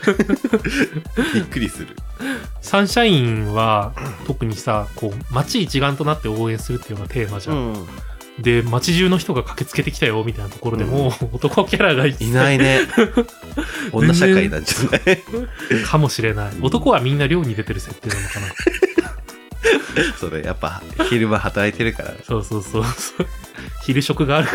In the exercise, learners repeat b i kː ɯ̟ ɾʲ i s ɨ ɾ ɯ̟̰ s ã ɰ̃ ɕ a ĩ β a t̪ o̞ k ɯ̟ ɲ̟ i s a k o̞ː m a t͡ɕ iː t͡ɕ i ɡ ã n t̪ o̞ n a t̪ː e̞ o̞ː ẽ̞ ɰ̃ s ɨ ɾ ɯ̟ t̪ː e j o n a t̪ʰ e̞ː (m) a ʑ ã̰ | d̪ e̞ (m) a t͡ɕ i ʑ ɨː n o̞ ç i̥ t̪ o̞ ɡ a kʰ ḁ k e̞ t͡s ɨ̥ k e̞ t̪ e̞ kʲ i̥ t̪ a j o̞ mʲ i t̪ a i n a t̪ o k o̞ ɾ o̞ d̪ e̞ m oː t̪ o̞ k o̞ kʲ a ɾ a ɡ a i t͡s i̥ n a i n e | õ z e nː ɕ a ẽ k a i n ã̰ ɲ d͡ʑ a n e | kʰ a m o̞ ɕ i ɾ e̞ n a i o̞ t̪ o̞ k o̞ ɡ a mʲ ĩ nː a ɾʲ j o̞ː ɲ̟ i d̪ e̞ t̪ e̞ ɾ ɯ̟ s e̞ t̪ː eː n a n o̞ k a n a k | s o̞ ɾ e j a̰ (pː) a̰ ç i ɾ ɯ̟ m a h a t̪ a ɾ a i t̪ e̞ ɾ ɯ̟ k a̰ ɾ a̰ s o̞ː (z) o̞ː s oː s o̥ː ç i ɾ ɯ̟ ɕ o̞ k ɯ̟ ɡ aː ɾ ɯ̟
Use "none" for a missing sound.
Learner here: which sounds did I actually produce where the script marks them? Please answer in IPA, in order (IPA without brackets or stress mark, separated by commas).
m, m, pː, s